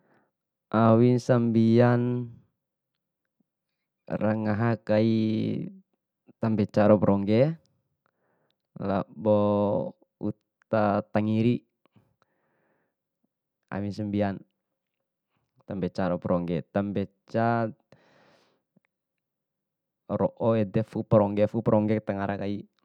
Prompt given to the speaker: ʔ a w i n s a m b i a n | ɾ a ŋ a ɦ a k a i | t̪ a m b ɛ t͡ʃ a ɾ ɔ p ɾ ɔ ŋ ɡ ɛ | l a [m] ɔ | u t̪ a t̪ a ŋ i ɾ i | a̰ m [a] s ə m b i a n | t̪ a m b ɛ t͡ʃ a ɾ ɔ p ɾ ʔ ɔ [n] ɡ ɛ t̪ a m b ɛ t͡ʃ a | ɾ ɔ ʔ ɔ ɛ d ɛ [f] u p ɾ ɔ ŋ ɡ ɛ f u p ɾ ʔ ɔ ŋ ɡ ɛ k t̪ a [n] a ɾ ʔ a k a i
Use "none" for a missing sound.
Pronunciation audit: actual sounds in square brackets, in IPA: b, i, ŋ, f, ŋ

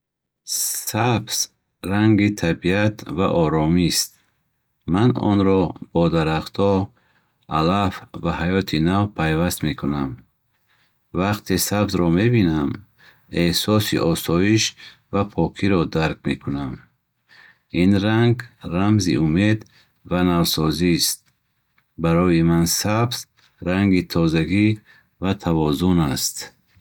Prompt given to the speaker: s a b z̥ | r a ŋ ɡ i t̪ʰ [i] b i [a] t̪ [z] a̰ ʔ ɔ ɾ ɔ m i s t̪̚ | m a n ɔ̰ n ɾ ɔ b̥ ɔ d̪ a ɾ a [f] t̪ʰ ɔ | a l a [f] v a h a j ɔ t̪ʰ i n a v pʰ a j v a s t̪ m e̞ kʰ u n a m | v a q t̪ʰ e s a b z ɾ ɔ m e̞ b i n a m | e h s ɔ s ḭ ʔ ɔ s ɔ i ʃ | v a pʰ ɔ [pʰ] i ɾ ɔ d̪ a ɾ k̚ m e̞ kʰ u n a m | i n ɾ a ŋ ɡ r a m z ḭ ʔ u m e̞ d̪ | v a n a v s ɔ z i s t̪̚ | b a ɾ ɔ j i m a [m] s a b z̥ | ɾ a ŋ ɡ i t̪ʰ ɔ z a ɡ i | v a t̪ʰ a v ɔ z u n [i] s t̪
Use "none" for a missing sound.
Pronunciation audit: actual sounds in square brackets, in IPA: a, a, v, χ, f, kʰ, n, a

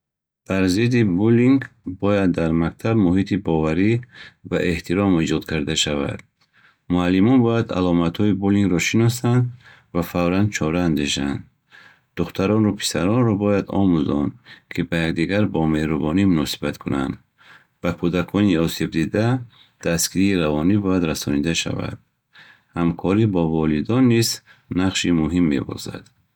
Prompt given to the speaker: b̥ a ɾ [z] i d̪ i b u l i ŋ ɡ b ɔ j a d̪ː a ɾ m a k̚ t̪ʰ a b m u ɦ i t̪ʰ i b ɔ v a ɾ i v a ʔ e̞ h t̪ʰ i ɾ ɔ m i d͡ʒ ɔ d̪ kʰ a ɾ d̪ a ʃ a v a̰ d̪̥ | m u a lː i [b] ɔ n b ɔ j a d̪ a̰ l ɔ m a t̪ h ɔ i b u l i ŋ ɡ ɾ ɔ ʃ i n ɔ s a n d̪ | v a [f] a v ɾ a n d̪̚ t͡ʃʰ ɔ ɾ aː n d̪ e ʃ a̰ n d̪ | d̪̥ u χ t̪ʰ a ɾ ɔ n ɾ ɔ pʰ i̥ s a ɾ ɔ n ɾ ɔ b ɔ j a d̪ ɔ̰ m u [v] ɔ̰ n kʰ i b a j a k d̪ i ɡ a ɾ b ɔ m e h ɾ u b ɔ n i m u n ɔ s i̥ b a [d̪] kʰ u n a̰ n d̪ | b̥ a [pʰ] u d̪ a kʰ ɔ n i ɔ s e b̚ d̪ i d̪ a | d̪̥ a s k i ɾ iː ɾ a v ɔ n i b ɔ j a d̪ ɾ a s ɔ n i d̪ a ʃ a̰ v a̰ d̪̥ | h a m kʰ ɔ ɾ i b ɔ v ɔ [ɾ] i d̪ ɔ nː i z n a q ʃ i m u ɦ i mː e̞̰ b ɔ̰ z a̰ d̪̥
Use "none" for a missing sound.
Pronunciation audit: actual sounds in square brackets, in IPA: z, m, f, z, t̪, kʰ, l

